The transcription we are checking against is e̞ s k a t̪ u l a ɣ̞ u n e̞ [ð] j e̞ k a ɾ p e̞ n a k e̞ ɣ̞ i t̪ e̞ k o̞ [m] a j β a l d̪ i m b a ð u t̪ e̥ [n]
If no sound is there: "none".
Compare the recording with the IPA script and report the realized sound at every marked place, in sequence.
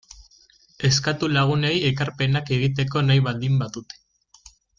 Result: none, n, none

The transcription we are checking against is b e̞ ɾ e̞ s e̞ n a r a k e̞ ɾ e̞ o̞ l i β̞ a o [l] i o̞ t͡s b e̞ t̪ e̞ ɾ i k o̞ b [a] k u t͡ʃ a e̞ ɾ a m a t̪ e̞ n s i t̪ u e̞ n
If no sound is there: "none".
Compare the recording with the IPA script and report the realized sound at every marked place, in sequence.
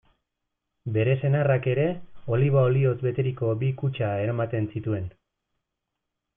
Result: l, i

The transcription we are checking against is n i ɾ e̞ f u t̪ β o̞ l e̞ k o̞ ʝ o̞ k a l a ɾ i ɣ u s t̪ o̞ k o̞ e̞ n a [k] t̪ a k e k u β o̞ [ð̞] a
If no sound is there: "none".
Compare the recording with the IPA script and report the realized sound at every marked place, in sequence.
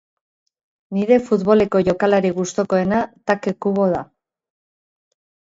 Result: none, ð̞

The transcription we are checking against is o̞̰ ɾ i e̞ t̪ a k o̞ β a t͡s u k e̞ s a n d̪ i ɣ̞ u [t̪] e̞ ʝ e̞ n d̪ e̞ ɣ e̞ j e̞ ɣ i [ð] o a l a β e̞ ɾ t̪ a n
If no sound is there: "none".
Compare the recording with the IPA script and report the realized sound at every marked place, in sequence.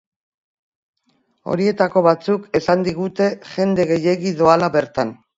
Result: t̪, ð

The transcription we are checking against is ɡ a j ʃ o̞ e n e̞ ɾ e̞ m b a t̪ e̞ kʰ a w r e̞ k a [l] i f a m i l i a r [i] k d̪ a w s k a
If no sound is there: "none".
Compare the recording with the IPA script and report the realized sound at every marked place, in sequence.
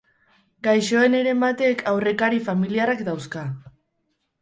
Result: ɾ, a

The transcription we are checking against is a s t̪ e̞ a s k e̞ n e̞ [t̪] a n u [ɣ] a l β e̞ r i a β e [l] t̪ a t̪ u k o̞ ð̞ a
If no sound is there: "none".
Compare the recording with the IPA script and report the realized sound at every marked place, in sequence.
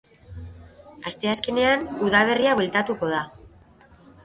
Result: none, ð, l

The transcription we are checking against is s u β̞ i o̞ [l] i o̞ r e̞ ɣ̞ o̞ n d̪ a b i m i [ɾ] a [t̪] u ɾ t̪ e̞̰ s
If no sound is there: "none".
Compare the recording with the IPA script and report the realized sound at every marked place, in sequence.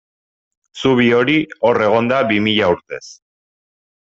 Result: ɾ, ʎ, none

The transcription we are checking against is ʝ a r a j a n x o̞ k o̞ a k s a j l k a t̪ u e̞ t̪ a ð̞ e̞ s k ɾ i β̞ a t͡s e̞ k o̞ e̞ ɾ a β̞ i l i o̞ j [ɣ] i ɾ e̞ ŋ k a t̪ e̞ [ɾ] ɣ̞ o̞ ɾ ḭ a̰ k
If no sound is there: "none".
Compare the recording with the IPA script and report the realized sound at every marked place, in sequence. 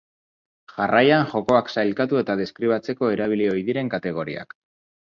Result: ð, none

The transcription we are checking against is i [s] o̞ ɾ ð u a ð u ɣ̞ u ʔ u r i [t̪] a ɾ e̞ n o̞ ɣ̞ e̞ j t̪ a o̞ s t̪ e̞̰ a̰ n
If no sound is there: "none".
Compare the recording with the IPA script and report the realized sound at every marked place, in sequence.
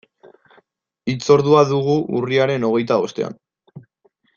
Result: t͡s, none

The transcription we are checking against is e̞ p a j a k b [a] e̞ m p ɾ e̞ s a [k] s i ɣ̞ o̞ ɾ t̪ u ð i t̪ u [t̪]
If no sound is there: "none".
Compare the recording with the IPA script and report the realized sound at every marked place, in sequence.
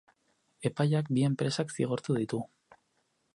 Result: i, k, none

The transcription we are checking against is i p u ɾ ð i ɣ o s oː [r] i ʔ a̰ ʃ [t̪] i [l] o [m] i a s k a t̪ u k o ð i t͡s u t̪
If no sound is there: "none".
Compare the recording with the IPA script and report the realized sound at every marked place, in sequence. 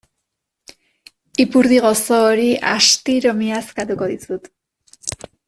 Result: ɾ, t̪, ɾ, m

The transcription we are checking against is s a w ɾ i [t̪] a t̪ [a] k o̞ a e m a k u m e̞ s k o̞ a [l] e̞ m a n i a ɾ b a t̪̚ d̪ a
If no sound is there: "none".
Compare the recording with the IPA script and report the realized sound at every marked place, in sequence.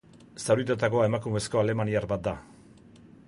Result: t̪, a, l

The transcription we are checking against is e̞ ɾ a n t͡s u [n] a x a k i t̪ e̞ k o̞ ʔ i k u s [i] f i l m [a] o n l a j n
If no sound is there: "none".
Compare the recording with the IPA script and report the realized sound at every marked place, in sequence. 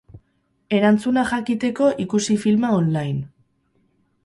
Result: n, i, a

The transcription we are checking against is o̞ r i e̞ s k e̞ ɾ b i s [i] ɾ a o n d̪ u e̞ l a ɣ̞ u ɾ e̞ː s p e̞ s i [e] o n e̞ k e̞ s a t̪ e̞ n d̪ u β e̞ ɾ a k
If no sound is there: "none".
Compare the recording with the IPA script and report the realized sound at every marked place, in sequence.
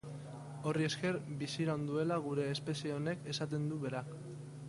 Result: i, e

